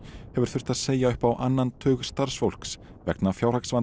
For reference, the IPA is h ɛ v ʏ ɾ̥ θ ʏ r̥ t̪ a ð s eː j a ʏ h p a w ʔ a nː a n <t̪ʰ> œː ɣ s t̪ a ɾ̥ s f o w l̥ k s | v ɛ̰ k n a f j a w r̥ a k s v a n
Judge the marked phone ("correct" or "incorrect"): correct